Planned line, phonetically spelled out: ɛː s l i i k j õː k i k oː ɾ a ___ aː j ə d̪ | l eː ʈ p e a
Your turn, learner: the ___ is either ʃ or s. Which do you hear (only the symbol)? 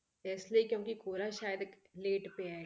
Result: ʃ